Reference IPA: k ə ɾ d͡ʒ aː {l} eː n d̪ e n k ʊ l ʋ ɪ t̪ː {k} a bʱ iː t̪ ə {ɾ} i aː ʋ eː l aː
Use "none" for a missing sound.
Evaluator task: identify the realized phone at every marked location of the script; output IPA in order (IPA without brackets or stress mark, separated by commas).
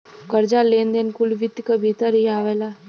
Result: l, k, ɾ